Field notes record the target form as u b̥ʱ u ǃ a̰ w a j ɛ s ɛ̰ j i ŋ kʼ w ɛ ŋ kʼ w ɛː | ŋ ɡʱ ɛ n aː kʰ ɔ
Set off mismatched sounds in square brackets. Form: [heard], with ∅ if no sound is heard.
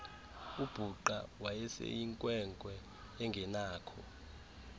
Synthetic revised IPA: u b̥ʱ u ǃ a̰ w a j ɛ s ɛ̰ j i ŋ kʼ w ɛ ŋ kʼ w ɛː | ŋ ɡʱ ɛ n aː kʰ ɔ